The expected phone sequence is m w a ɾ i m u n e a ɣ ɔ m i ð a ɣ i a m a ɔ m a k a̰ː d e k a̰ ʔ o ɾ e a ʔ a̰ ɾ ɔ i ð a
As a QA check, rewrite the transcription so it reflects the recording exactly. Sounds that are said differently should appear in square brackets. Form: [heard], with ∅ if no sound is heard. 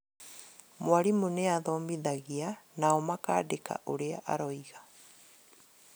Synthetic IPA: m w a ɾ i m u n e a [ð] ɔ m i ð a ɣ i a [n] a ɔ m a k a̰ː d e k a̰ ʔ o ɾ e a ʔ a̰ ɾ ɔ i [ɣ] a